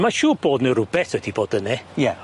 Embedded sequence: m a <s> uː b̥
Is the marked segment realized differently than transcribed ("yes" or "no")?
yes